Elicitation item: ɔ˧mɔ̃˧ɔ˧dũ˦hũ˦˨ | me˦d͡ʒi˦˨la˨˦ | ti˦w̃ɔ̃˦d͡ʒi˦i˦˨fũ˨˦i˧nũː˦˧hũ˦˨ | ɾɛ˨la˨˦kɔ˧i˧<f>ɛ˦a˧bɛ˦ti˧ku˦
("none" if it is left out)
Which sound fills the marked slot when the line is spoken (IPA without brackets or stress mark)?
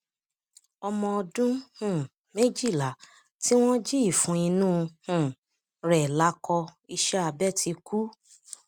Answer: ʃ